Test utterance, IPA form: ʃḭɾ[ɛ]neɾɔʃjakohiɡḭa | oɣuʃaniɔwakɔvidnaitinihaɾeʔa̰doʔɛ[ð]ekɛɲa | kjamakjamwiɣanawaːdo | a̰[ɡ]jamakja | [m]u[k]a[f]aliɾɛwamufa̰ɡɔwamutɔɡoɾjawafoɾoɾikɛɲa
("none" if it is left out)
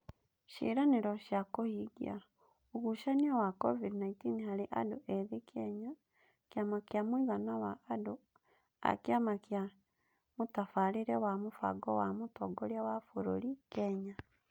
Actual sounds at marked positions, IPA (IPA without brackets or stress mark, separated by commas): a, ð, k, m, t, f